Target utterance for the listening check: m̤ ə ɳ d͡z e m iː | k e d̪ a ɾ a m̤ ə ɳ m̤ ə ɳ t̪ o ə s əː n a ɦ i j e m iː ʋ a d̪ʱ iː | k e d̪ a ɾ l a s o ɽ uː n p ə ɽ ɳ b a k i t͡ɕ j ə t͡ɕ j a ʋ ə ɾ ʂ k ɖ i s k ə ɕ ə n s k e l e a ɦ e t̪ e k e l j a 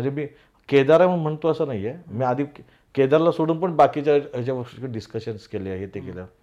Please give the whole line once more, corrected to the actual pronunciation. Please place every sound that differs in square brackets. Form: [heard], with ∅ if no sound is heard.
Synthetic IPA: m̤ ə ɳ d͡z e m iː | k e d̪ a ɾ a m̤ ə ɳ m̤ ə ɳ t̪ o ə s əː n a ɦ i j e m iː [∅] a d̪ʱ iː | k e d̪ a ɾ l a s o ɽ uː n p ə [∅] ɳ b a k i t͡ɕ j [a] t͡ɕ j a ʋ ə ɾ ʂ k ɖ i s k ə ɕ ə n s k e l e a ɦ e t̪ e k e l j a